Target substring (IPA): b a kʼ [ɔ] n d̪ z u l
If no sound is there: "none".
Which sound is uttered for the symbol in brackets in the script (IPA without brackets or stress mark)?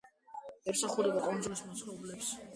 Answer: ɔ